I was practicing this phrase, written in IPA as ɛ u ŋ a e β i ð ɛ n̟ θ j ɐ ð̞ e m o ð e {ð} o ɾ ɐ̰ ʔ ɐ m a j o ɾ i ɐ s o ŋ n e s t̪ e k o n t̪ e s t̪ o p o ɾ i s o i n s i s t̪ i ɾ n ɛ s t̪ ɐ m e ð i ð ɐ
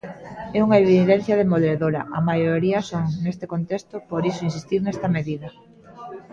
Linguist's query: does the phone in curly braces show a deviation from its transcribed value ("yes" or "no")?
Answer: no